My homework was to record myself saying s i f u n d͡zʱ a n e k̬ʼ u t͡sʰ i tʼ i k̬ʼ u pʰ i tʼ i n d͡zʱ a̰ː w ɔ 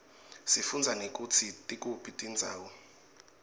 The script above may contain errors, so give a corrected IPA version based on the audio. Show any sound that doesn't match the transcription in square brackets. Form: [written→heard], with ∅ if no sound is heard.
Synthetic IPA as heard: s i f u n d͡zʱ a n e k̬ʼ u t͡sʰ i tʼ i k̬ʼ u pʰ i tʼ i n d͡zʱ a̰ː w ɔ